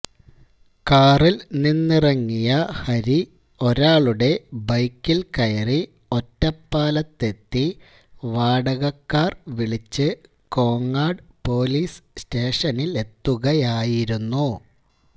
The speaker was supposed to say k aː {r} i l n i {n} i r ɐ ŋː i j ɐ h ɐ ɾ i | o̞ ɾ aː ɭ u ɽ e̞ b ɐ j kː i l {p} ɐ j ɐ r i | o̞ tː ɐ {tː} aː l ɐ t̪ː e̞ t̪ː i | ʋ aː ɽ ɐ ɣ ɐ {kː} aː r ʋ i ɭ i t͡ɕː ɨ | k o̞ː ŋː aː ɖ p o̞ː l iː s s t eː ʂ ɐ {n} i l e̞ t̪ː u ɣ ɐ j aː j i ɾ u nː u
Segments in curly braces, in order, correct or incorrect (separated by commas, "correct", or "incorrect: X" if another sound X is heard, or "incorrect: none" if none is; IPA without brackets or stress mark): correct, incorrect: nː, incorrect: k, incorrect: pː, correct, correct